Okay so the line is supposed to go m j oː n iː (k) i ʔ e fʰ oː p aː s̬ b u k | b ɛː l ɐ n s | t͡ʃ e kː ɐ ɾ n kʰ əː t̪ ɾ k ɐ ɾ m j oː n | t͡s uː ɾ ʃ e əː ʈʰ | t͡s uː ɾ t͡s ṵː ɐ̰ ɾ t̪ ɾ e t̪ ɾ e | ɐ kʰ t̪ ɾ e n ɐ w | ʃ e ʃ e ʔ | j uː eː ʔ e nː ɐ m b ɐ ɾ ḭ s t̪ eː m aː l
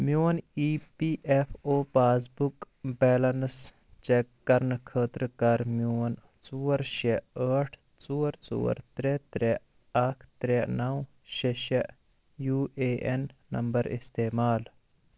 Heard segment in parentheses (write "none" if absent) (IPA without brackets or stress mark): p